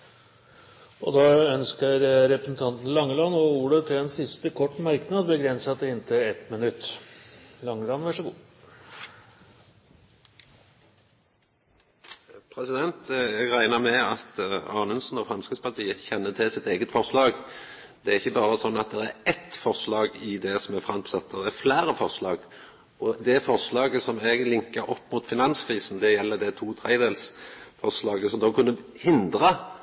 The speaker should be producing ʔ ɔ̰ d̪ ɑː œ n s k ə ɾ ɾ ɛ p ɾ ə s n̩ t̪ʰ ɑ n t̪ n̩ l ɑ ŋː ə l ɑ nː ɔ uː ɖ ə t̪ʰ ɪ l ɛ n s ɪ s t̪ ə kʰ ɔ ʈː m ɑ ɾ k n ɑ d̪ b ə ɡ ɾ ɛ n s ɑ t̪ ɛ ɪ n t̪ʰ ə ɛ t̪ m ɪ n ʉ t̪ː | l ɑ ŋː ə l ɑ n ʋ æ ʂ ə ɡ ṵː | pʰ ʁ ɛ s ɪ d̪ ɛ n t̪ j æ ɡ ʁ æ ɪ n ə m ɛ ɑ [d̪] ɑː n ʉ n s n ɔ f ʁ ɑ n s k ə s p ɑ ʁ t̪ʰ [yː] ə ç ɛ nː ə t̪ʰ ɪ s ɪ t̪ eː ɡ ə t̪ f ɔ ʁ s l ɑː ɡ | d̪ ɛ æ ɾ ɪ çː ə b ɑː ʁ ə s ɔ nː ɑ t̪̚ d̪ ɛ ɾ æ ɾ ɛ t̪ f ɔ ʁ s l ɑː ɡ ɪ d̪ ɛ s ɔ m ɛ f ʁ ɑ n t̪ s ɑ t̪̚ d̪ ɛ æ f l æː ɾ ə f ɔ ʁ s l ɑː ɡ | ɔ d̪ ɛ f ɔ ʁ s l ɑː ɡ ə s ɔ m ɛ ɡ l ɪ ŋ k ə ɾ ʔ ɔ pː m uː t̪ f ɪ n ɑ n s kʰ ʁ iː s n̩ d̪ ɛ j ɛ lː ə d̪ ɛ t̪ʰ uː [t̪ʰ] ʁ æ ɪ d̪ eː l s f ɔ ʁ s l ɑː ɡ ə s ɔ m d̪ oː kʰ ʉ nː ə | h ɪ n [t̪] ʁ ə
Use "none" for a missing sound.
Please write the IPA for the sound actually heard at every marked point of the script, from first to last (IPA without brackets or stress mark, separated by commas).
t̪, iː, t̪ʰ, d̪